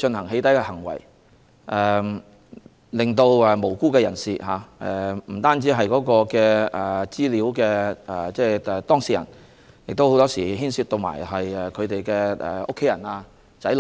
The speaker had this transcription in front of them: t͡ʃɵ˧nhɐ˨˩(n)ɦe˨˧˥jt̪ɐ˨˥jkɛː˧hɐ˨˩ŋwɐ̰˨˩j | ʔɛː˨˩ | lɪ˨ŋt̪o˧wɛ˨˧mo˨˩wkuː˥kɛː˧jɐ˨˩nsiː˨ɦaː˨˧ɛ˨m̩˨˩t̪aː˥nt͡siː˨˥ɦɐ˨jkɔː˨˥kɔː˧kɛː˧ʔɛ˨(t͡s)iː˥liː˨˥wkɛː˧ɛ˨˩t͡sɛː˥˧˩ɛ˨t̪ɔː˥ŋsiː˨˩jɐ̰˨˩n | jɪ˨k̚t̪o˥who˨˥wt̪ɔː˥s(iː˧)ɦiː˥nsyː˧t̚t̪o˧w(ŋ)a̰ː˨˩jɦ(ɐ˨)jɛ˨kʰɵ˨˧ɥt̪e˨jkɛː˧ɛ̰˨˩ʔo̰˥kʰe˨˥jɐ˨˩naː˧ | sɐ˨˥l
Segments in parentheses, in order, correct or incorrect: incorrect: ŋ, correct, incorrect: iː˨˩, incorrect: m, correct

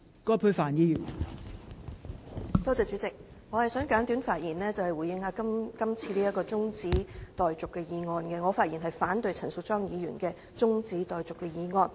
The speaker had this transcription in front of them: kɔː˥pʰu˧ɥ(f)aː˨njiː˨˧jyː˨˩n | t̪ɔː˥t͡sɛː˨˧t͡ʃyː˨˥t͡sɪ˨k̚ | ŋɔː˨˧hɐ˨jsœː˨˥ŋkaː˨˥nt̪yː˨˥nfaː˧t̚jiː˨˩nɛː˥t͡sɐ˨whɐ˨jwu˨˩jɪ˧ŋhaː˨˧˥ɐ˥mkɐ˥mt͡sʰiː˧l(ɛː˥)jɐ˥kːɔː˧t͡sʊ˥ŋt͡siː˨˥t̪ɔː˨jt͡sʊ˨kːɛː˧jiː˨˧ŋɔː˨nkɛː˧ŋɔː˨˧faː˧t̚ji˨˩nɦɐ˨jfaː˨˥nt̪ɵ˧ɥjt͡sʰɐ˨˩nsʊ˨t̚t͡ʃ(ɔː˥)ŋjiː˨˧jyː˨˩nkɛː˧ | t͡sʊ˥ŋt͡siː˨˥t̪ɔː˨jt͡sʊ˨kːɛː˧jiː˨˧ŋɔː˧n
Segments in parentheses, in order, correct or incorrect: correct, incorrect: iː˥, correct

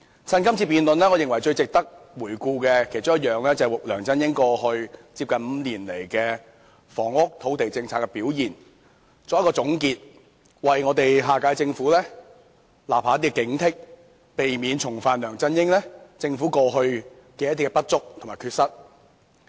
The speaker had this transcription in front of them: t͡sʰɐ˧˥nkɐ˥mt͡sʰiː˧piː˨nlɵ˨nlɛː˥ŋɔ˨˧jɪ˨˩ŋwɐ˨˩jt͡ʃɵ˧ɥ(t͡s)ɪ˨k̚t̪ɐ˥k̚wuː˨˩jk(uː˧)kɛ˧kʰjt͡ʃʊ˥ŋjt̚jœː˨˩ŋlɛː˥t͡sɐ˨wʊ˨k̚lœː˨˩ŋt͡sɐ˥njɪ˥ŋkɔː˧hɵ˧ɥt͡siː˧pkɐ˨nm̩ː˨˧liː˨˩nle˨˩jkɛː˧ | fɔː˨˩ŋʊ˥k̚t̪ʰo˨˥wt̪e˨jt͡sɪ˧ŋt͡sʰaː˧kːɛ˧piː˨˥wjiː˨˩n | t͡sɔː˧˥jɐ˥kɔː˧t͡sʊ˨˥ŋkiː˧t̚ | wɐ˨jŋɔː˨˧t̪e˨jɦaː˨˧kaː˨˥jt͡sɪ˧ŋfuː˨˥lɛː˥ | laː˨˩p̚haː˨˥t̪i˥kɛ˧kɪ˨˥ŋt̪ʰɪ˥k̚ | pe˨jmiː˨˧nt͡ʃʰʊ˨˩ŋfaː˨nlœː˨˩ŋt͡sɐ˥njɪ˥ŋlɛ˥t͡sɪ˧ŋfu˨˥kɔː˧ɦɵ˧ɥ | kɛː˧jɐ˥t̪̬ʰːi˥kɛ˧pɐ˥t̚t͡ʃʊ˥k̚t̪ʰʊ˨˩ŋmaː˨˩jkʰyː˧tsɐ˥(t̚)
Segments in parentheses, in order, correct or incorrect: correct, correct, correct

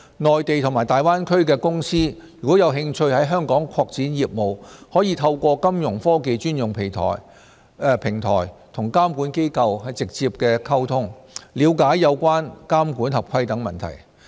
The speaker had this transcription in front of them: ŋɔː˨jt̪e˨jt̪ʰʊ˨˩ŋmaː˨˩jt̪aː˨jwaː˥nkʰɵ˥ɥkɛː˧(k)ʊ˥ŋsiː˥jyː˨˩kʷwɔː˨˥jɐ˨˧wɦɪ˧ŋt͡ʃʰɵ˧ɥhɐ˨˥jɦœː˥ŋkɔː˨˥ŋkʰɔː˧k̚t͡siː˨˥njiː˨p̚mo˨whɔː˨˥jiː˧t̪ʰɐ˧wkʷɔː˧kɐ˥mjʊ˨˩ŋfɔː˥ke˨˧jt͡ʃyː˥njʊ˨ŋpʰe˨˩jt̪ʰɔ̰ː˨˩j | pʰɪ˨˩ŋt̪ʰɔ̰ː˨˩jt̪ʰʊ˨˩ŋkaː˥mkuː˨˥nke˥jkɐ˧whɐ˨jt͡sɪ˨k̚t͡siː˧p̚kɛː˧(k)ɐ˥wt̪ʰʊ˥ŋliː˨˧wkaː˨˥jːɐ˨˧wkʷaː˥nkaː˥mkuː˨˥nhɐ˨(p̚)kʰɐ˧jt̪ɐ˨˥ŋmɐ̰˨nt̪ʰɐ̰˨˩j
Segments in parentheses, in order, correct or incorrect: correct, incorrect: kʰ, correct

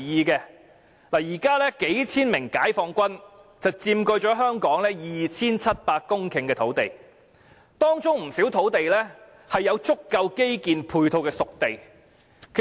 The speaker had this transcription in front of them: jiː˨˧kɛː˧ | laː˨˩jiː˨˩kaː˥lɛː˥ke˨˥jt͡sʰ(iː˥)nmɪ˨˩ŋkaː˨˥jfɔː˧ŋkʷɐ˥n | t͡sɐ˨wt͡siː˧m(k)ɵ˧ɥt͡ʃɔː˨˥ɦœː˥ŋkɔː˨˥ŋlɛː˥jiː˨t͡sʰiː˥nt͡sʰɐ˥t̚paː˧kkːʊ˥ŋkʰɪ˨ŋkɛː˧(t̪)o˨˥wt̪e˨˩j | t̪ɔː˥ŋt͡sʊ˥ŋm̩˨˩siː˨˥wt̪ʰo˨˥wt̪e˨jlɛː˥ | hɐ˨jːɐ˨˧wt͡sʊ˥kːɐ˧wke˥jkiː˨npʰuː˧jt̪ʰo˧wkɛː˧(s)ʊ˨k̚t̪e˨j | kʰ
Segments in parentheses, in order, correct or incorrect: correct, correct, incorrect: t̪ʰ, correct

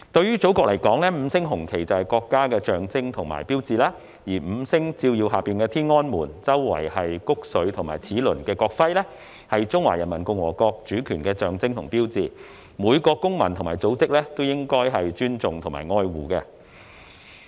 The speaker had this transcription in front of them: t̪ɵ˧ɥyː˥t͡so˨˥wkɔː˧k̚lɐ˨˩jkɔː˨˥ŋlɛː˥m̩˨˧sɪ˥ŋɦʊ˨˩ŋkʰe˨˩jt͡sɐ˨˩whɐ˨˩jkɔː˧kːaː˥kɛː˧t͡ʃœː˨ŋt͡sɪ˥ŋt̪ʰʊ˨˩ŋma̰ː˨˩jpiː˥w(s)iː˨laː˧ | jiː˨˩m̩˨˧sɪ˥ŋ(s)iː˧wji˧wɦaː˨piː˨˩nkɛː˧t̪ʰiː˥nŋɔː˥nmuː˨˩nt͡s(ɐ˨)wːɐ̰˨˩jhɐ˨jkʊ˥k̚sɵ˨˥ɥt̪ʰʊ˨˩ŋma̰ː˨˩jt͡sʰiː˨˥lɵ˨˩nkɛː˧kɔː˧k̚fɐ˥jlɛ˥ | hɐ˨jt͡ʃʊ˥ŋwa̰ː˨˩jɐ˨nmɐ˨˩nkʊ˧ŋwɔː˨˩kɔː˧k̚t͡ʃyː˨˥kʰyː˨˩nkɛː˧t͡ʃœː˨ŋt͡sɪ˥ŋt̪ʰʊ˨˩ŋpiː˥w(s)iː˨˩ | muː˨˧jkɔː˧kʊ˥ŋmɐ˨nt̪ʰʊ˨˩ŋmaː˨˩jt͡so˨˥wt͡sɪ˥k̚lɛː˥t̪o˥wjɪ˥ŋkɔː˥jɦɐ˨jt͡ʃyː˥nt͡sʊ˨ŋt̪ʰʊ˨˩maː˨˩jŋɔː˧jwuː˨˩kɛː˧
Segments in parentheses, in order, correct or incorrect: incorrect: t͡s, incorrect: t͡s, incorrect: ɐ˥, incorrect: t͡s

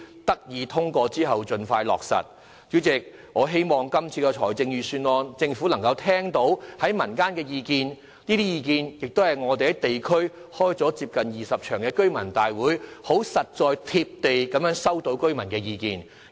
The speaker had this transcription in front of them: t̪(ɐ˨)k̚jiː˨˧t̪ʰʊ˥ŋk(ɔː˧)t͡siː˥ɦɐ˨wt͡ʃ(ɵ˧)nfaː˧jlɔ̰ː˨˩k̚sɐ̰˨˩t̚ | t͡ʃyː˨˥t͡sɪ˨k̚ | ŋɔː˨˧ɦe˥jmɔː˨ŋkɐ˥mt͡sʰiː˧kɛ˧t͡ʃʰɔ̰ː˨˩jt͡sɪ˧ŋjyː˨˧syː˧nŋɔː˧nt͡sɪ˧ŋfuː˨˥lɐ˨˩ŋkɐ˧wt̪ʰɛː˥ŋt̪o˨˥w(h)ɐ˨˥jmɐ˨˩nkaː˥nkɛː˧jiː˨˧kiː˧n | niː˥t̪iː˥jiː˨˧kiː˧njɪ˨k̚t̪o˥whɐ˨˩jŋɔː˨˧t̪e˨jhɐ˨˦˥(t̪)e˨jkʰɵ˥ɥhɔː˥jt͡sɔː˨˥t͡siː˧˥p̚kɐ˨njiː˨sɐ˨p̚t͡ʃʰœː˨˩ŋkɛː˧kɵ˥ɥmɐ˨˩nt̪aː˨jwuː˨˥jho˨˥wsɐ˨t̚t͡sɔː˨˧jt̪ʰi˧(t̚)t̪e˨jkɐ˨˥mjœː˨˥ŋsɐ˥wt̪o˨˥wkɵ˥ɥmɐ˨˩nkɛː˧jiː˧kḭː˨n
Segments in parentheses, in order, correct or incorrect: incorrect: ɐ˥, correct, correct, correct, correct, incorrect: p̚

